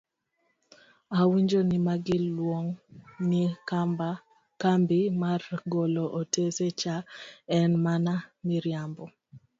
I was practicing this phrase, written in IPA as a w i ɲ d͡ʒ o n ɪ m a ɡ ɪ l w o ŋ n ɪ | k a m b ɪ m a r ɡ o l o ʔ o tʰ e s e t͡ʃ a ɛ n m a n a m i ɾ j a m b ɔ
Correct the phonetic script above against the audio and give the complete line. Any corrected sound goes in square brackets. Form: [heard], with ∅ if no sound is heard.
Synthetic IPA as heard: a w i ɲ d͡ʒ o n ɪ m a ɡ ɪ l w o ŋ n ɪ | k a m b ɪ m a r ɡ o l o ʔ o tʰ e s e t͡ʃ a ɛ n m a n a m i ɾ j a m b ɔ